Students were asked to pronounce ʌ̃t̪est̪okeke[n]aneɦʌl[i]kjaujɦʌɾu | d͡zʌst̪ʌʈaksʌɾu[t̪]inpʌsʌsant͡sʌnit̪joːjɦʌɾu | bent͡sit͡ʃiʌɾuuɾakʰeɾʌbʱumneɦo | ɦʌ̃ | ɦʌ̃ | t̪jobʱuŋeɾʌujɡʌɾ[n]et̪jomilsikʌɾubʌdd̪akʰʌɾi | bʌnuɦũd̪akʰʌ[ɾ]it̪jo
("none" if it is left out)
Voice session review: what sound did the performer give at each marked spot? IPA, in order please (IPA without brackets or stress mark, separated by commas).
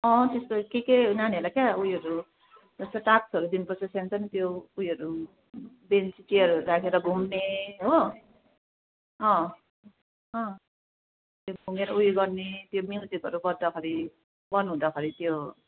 n, a, d̪, n, ɾ